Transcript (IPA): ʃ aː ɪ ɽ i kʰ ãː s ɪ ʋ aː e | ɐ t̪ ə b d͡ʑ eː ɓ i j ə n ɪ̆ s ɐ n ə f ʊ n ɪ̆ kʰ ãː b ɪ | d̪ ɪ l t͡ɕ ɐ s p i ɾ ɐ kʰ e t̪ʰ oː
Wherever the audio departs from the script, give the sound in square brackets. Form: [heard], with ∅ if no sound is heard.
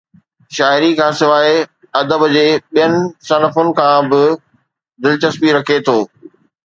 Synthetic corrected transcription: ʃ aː ɪ [ɾ] i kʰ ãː s ɪ ʋ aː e | ɐ [d̪] ə b d͡ʑ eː ɓ i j ə n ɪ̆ s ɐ n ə f ʊ n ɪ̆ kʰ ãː b ɪ | d̪ ɪ l t͡ɕ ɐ s p i ɾ ɐ kʰ e t̪ʰ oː